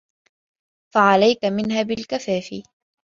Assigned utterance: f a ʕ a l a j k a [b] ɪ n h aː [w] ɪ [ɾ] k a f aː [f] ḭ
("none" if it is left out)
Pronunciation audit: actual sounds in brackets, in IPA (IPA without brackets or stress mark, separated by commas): m, b, l, f